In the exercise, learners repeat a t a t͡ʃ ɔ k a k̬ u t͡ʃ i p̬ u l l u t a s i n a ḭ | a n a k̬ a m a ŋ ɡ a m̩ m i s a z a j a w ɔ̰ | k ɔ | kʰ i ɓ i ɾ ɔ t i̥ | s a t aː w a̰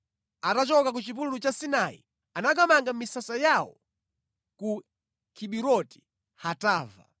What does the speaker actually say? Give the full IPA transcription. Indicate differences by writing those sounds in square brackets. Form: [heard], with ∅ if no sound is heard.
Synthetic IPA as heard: a t a t͡ʃ ɔ k a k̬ u t͡ʃ i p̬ u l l u [t͡ʃ] a s i n a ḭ | a n a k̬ a m a ŋ ɡ a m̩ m i s a [s] a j a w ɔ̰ | k [u] | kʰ i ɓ i ɾ ɔ t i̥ | [h] a t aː [v] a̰